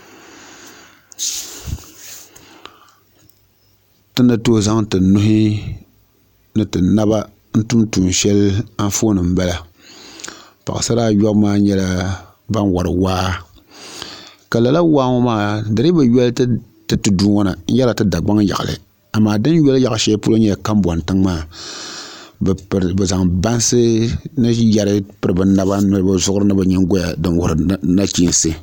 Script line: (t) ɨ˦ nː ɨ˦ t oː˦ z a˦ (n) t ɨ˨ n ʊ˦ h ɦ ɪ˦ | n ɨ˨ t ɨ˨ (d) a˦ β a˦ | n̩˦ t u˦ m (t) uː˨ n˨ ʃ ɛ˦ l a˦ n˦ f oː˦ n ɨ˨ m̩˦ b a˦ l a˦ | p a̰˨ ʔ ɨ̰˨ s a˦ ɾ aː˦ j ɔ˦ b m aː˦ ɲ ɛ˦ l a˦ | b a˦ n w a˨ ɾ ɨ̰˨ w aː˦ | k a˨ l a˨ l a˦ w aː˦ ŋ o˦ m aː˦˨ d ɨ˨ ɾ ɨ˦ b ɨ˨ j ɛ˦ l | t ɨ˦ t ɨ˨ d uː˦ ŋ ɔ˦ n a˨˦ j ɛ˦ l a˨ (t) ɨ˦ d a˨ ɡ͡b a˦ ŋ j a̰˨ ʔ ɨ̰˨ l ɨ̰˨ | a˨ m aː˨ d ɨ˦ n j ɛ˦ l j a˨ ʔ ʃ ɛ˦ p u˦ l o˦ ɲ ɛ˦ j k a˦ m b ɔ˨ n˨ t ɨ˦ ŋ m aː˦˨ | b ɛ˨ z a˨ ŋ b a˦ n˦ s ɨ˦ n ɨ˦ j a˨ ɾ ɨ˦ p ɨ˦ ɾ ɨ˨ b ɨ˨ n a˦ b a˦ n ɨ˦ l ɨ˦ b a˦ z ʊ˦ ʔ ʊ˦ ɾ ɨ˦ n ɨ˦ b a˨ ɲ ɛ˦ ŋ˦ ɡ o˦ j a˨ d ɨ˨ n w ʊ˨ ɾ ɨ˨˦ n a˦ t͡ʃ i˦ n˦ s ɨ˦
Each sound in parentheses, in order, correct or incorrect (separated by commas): correct, incorrect, incorrect, correct, correct